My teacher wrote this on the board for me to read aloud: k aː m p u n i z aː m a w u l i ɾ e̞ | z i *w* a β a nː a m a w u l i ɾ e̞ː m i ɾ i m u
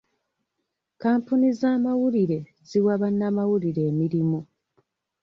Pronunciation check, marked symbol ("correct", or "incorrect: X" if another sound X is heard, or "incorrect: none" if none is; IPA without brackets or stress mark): correct